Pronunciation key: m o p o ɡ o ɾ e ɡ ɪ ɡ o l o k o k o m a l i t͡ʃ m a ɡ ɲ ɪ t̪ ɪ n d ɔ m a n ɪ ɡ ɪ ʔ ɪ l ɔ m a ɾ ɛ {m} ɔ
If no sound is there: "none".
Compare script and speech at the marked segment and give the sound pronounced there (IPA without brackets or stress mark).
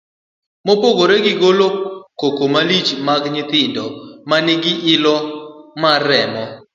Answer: m